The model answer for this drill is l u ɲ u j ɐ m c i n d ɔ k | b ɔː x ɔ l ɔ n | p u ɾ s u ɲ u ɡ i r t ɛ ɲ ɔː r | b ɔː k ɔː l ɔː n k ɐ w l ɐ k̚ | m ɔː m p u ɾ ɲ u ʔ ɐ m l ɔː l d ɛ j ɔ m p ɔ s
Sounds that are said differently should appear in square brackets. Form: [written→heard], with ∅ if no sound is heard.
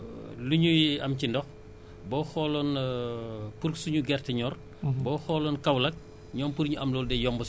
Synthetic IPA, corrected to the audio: l u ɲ u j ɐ m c i n d ɔ [k→x] | b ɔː x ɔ l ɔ n | p u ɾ s u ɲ u ɡ [i→ɛ] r t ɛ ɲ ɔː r | b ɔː [k→x] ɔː l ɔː n k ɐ w l ɐ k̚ | [m→ɲ] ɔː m p u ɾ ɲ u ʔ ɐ m l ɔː l d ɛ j ɔ m [p→b] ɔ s